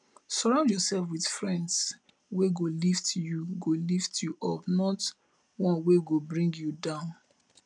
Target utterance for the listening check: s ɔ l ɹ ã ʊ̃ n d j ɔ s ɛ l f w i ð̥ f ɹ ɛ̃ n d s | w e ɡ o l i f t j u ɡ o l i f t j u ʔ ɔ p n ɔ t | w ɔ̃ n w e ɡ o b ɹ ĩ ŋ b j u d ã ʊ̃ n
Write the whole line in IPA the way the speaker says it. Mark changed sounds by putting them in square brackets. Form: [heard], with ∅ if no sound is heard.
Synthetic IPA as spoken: s ɔ [∅] ɹ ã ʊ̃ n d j ɔ s ɛ l f w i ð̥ f ɹ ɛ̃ n d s | w e ɡ o l i f t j u ɡ o l i f t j u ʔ ɔ p n ɔ t | w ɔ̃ n w e ɡ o b ɹ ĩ ŋ [ɡ] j u d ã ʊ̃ n